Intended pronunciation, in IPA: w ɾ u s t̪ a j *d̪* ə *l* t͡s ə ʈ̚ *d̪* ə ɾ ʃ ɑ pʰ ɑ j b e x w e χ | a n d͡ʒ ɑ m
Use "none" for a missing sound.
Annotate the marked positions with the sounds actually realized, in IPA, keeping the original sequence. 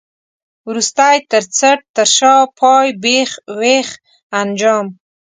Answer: t̪, ɾ, t̪

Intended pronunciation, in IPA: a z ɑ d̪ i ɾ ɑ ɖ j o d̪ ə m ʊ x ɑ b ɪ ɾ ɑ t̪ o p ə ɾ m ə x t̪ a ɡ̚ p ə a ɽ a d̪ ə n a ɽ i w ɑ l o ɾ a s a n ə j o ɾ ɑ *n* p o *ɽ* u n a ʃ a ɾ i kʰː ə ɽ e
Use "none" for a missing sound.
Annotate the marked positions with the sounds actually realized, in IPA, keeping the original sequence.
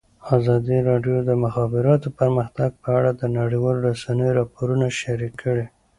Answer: none, ɾ

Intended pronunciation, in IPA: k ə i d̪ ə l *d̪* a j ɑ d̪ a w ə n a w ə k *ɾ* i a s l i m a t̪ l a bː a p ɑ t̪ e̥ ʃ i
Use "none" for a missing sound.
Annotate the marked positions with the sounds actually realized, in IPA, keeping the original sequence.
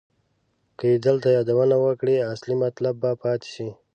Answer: t̪, ɽ

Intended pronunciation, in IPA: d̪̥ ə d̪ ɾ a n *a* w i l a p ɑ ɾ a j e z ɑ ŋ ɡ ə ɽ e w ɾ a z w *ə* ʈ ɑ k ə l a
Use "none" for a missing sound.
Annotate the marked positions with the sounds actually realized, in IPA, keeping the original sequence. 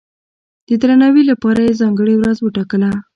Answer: a, ə

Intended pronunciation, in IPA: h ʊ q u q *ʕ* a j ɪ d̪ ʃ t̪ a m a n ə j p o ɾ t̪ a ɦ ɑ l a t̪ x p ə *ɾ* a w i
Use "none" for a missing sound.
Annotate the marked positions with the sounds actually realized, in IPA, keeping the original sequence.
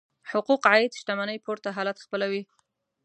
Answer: ʕ, l

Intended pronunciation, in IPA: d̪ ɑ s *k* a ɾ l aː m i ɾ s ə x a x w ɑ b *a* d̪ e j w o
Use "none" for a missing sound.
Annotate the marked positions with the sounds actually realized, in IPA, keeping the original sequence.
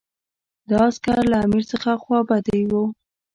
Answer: k, a

